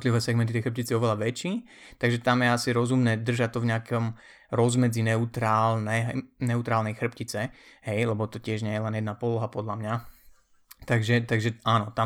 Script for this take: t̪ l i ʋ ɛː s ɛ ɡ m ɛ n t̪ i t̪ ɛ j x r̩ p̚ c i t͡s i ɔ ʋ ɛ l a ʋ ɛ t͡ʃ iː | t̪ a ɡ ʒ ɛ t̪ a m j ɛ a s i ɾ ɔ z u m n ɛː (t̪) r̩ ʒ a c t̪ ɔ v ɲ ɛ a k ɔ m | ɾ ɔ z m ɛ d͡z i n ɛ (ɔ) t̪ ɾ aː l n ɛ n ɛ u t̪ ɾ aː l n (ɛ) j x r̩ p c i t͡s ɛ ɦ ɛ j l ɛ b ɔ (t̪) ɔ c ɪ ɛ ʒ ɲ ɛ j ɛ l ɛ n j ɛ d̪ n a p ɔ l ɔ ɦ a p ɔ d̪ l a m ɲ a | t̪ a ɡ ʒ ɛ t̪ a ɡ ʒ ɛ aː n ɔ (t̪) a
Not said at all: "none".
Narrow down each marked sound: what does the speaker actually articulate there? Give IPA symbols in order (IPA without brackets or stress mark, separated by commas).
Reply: d̪, u, ɛ, t̪, t̪